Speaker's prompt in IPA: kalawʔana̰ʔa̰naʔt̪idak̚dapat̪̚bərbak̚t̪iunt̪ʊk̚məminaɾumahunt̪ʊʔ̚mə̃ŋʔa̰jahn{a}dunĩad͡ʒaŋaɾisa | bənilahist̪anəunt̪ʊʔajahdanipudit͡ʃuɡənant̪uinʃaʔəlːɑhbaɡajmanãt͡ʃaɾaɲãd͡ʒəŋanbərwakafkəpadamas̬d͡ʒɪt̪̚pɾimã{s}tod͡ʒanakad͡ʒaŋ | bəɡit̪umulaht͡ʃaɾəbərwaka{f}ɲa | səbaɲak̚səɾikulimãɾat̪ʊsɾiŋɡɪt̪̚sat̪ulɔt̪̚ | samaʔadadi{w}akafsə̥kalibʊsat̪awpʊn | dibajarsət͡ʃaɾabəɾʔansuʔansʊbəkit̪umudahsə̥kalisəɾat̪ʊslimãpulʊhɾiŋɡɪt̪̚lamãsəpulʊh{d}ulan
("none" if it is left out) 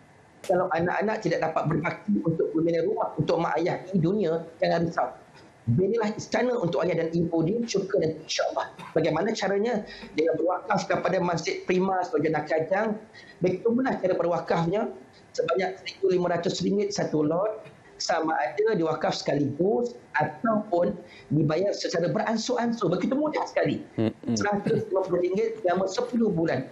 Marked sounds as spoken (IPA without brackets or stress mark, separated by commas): i, s, f, w, b